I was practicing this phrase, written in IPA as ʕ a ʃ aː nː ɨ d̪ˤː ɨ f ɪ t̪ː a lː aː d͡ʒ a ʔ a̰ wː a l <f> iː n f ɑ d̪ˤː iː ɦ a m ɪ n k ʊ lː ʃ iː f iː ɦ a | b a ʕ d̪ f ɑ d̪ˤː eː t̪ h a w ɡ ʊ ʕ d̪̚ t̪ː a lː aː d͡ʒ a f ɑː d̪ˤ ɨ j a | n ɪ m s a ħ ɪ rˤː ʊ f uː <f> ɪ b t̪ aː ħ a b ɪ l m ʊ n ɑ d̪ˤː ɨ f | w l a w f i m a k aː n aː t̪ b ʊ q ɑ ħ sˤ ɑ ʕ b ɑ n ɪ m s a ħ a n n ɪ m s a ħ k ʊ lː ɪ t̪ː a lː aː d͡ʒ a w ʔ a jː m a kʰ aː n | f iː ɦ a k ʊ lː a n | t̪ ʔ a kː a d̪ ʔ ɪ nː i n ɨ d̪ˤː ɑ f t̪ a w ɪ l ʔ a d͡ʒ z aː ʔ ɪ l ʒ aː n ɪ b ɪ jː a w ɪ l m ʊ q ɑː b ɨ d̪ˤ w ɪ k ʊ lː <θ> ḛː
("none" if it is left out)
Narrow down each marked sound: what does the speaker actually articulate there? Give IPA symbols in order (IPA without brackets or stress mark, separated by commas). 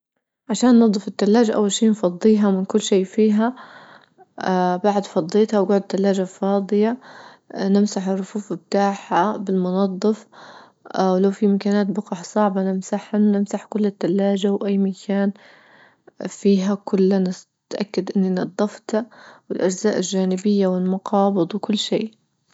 ʃ, f, ʃ